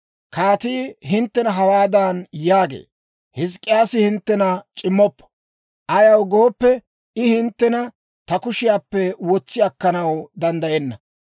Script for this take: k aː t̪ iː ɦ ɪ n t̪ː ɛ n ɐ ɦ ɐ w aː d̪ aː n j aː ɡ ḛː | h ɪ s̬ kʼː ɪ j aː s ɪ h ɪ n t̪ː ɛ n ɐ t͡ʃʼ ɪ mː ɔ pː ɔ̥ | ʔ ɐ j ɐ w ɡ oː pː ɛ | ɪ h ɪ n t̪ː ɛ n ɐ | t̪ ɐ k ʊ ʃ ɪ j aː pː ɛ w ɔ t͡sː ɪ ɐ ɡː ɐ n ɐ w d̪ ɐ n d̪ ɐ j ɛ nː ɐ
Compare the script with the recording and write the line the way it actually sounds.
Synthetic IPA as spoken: k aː t̪ iː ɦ ɪ n t̪ː ɛ n ɐ ɦ ɐ w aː d̪ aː n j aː ɡ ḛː | h ɪ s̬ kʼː ɪ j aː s ɪ h ɪ n t̪ː ɛ n ɐ t͡ʃʼ ɪ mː ɔ pː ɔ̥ | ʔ ɐ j ɐ w ɡ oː pː ɛ | ɪ h ɪ n t̪ː ɛ n ɐ | t̪ ɐ k ʊ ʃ ɪ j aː pː ɛ w ɔ t͡sː ɪ ɐ kː ɐ n ɐ w d̪ ɐ n d̪ ɐ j ɛ nː ɐ